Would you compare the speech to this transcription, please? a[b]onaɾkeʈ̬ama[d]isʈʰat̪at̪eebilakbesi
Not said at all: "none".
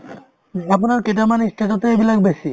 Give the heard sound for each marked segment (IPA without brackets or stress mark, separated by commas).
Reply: p, n